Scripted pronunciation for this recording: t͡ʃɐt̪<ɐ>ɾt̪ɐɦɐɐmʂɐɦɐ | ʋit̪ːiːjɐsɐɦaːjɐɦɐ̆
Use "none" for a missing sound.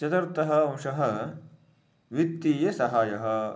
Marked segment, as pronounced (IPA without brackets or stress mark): ɐ